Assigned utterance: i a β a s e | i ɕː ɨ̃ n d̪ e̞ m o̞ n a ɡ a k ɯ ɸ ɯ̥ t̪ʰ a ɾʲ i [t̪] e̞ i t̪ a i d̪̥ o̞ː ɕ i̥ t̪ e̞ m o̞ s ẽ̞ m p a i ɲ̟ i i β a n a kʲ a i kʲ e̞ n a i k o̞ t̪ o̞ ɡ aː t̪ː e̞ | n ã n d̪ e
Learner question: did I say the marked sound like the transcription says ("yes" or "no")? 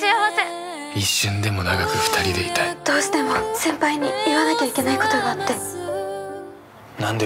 no